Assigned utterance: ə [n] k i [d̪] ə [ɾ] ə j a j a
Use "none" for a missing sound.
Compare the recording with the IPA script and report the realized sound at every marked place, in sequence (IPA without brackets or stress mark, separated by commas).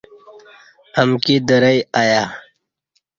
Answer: m, d̪, ɾ